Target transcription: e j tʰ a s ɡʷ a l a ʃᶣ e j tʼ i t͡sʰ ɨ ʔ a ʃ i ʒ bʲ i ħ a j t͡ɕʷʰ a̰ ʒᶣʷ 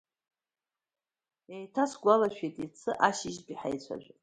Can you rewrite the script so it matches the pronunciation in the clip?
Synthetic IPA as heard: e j tʰ a s ɡʷ a l a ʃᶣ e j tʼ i t͡sʰ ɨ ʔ a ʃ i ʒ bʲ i ħ a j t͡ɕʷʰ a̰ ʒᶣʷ